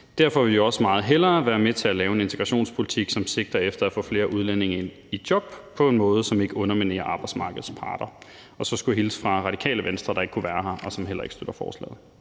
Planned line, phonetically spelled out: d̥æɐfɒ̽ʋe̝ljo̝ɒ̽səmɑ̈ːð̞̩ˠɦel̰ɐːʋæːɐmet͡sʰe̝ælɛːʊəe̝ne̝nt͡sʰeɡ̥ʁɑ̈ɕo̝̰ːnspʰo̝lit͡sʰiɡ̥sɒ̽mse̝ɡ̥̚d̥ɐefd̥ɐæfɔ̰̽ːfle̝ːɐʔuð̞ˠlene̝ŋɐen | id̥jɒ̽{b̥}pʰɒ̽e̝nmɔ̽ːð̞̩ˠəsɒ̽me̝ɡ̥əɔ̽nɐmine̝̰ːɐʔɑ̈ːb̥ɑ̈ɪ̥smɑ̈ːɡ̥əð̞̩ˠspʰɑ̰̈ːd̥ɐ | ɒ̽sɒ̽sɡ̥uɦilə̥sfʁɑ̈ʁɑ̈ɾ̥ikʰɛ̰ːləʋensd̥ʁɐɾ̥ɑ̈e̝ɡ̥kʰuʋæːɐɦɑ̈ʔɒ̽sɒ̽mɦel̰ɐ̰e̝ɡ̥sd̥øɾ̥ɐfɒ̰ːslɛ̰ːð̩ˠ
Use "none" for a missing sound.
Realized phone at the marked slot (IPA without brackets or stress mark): b̥